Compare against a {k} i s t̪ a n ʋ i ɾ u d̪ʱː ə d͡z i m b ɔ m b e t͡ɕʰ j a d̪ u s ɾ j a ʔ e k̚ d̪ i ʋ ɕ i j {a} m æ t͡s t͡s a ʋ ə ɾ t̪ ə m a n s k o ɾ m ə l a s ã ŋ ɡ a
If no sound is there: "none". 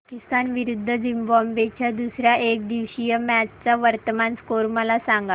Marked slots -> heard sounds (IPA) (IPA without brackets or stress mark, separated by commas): k, ə